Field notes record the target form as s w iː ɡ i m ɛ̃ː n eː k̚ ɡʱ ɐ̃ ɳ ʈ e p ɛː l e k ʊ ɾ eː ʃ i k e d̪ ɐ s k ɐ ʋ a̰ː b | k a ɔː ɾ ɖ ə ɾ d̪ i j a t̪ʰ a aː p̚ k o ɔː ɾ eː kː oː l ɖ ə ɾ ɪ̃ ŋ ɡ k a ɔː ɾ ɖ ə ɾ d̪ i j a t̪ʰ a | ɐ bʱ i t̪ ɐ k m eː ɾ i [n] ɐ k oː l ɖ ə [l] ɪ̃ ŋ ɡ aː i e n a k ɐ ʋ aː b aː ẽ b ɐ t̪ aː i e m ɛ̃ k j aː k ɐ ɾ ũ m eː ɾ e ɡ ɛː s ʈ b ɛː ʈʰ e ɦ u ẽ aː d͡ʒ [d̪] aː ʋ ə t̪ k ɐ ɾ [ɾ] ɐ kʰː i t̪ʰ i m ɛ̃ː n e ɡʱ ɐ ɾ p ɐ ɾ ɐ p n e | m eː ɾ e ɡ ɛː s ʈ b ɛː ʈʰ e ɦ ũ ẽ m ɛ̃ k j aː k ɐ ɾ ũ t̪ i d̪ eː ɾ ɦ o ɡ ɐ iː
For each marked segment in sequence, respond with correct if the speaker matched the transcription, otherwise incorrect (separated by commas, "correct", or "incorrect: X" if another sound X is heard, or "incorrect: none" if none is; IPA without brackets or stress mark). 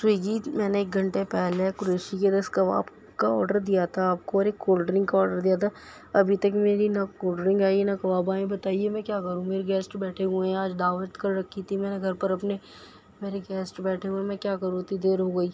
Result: correct, incorrect: ɾ, correct, correct